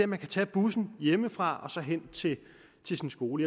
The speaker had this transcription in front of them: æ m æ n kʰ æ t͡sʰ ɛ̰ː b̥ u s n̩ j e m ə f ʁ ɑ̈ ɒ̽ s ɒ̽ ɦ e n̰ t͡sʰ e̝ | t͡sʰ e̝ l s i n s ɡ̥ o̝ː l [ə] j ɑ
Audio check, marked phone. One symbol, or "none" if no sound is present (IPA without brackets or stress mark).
ə